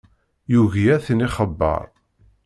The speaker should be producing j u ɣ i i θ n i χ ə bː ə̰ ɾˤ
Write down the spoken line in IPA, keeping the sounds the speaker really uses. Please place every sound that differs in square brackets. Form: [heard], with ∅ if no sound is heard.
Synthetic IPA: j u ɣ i [æ] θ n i χ ə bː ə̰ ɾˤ